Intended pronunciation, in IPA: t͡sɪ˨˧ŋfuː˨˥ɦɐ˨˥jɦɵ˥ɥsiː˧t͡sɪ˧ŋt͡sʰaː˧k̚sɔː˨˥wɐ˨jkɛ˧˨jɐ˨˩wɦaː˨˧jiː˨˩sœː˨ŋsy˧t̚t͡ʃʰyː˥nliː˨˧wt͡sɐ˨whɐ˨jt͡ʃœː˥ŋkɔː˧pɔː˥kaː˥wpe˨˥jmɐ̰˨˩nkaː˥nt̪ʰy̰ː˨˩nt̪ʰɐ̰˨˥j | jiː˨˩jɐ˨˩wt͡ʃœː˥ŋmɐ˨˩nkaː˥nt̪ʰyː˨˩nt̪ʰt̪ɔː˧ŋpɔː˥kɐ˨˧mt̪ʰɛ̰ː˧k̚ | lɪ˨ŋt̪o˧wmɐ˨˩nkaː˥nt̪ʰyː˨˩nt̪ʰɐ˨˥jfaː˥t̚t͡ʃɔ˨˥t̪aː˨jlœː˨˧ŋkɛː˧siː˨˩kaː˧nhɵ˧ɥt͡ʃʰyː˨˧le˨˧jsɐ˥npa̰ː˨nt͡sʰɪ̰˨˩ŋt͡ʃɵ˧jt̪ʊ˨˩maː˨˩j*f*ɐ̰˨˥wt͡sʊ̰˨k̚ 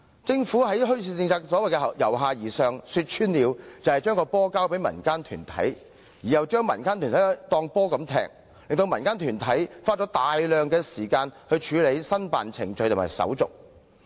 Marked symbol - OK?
no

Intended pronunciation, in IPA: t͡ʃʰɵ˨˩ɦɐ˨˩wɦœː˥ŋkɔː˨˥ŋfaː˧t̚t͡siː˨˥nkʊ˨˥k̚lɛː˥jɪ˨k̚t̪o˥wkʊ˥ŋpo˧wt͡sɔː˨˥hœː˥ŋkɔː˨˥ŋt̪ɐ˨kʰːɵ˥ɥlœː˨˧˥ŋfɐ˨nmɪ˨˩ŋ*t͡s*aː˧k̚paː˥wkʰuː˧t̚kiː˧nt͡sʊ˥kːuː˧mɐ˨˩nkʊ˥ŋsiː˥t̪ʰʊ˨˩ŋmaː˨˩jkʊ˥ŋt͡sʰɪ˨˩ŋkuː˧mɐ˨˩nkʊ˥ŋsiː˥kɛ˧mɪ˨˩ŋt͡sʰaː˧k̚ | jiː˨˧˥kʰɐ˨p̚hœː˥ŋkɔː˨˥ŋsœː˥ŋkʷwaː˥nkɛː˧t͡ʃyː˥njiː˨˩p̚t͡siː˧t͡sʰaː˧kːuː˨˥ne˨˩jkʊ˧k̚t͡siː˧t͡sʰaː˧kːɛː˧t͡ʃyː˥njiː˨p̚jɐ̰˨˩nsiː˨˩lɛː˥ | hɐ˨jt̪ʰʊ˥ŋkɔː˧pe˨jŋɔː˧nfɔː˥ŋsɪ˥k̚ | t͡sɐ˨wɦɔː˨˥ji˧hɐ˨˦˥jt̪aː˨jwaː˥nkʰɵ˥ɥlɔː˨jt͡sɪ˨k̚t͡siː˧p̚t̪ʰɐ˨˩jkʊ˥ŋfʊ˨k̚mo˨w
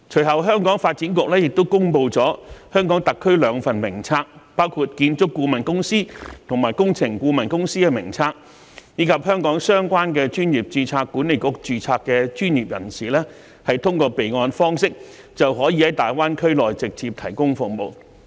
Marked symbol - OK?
no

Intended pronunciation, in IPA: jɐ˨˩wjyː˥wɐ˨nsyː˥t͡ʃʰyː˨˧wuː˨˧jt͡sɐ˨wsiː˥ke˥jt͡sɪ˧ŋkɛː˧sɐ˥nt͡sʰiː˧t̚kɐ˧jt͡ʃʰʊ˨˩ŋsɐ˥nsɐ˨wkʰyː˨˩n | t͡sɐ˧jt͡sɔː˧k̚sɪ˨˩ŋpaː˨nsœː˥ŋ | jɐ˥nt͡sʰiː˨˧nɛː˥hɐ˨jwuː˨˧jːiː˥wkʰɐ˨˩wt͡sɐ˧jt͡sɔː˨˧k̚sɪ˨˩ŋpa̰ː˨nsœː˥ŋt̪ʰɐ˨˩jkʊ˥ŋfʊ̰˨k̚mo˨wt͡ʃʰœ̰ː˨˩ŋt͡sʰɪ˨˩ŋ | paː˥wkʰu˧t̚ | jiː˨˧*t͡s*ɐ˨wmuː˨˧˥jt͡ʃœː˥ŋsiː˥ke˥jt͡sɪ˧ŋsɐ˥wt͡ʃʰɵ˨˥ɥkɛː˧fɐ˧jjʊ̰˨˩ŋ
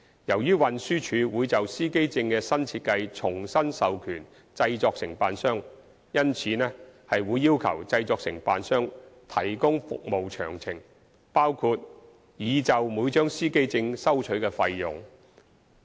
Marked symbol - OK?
yes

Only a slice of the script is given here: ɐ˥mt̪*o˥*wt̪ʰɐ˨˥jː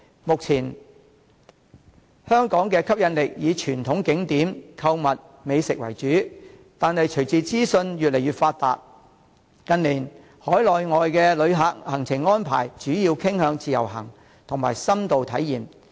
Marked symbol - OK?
no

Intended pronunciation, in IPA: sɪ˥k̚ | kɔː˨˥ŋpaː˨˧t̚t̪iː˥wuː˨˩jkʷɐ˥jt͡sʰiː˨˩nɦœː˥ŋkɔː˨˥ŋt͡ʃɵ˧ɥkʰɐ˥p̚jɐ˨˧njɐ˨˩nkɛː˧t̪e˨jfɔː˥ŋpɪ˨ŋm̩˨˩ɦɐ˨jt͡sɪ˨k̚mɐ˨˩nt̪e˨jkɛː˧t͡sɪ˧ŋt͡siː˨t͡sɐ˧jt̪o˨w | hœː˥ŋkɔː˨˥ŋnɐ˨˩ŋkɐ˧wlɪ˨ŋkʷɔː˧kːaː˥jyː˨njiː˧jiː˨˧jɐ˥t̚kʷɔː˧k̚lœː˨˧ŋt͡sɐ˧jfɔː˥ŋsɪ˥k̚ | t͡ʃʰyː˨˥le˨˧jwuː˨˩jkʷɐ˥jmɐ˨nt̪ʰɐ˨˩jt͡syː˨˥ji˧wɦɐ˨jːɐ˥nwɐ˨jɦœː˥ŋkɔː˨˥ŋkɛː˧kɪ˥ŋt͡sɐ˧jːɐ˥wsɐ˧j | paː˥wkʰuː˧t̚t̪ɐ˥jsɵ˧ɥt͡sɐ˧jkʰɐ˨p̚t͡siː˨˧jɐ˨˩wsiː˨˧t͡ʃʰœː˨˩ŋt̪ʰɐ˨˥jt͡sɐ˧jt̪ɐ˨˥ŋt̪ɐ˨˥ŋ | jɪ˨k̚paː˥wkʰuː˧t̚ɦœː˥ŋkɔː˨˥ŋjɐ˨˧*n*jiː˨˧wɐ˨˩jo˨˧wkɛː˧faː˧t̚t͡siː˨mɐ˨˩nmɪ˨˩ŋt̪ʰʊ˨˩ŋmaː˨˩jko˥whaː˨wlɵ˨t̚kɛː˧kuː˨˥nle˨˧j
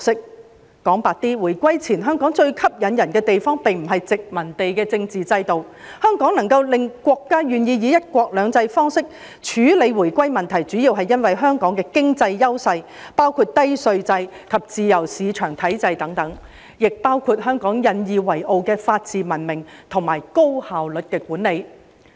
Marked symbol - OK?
yes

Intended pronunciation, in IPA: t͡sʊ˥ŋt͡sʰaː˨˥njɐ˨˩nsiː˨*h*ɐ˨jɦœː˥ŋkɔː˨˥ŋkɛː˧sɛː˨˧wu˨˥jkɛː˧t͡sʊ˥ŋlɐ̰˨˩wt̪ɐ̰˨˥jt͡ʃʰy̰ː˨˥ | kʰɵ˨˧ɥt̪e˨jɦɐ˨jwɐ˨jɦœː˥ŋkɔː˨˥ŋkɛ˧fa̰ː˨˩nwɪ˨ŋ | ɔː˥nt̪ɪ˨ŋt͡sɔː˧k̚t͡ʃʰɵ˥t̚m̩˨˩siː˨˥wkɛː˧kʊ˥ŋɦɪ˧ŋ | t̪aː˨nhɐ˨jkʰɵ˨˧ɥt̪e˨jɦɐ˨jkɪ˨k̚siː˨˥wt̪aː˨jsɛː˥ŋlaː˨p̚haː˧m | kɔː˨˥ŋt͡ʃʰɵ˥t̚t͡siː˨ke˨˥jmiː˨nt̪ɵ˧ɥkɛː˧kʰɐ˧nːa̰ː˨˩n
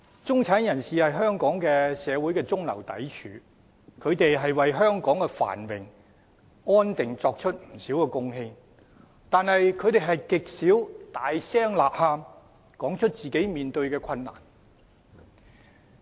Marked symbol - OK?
yes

